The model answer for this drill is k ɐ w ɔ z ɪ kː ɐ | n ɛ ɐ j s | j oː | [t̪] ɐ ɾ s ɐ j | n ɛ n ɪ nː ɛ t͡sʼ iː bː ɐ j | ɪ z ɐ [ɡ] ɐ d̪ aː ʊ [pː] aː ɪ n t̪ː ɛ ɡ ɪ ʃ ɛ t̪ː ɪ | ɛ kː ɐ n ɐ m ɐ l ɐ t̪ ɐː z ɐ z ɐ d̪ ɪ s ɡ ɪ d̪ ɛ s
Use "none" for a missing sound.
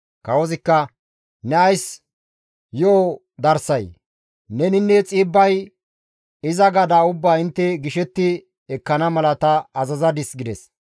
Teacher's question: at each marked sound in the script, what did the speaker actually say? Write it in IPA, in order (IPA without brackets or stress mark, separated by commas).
d̪, ɡ, bː